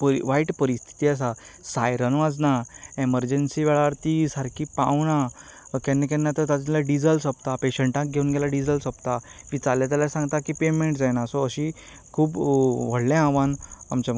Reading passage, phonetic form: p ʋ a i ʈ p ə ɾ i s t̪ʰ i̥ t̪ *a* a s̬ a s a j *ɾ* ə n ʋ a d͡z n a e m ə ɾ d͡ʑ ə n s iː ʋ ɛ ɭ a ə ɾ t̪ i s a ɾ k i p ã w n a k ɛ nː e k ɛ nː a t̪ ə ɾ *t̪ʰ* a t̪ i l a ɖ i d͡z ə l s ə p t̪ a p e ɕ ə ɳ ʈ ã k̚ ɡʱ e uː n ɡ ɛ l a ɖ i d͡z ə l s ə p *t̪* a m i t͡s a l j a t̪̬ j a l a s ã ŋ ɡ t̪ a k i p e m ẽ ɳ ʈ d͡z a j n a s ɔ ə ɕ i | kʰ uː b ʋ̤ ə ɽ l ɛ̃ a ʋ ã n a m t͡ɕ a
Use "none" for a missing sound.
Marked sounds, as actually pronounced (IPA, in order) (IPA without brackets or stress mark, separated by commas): i, ɾ, t̪, t̪